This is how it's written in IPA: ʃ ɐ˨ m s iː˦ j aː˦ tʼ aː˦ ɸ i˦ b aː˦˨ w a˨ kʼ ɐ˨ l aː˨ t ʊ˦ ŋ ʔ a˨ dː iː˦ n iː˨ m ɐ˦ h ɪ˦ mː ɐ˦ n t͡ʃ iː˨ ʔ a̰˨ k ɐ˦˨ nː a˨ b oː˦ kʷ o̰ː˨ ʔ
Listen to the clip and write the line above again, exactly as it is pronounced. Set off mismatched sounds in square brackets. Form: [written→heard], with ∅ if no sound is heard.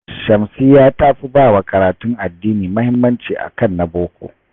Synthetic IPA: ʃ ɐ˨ m s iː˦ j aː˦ tʼ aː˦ ɸ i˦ b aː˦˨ w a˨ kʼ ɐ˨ [l→ɾ] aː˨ t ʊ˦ ŋ ʔ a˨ dː iː˦ n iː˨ m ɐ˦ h ɪ˦ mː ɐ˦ n t͡ʃ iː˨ ʔ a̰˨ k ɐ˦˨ nː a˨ b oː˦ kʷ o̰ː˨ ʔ